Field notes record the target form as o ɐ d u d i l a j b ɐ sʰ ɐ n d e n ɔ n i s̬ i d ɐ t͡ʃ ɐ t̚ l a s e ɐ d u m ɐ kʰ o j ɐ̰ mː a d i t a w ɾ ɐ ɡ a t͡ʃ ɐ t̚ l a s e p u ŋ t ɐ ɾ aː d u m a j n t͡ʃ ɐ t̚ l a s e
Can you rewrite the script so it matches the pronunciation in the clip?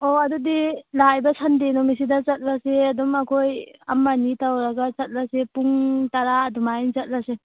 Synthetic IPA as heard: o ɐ d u d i l a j b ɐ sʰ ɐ n d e n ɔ m i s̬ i d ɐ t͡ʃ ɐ t̚ l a s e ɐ d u m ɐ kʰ o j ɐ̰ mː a n i t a w ɾ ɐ ɡ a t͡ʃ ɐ t̚ l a s e p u ŋ t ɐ ɾ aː d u m a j n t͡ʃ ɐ t̚ l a s e